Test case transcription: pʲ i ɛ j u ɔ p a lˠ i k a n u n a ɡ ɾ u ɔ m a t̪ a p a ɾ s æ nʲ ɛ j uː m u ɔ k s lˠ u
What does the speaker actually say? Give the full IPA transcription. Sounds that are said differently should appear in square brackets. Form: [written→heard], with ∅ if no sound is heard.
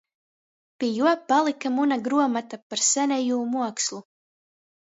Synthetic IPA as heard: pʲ i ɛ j u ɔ p a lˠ i k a [n→m] u n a ɡ ɾ u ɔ m a t̪ a p a ɾ s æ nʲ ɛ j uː m u ɔ k s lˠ u